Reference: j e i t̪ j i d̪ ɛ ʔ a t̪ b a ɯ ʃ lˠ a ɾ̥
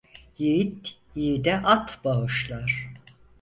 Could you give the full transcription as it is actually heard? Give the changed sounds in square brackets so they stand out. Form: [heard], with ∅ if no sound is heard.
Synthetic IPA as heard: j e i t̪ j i d̪ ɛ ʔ a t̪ b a ɯ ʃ lˠ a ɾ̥